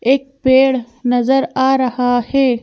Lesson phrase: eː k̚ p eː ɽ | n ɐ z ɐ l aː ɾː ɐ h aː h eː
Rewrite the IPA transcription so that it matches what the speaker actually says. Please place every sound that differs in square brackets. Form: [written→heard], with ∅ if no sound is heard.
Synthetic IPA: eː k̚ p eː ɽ | n ɐ z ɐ [l→ɾ] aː [ɾː→ɾ] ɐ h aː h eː